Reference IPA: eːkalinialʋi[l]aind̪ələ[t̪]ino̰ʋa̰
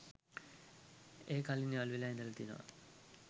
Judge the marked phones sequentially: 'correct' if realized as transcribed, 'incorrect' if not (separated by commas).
correct, correct